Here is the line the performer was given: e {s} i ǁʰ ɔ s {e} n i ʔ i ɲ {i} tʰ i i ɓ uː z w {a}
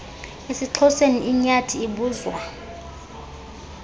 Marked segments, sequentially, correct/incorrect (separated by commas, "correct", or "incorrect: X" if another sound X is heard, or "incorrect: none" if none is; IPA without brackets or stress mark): correct, correct, incorrect: a, correct